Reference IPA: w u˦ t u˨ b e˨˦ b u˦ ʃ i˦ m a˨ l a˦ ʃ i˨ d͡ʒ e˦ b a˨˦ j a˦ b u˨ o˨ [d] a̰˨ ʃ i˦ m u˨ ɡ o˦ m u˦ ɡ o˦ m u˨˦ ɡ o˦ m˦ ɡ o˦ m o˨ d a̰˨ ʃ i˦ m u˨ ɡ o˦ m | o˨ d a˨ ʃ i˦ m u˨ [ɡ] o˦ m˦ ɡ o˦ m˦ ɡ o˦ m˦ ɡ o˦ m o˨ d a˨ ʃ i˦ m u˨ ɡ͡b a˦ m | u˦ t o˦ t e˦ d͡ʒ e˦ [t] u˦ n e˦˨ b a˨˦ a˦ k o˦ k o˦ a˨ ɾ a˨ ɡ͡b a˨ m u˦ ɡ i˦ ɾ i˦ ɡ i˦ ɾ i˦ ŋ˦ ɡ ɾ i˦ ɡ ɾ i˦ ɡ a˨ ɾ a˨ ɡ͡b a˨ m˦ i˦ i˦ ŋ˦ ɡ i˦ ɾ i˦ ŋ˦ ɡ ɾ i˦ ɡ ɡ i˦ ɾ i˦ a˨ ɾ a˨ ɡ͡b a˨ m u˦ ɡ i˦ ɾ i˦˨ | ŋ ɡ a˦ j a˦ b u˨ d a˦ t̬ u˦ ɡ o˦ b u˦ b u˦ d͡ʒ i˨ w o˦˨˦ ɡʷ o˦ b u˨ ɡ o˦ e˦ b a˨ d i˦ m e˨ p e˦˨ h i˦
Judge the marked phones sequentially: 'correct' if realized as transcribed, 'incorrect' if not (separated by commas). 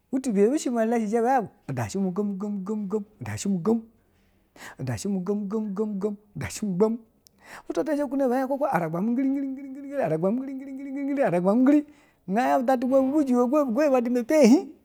correct, correct, incorrect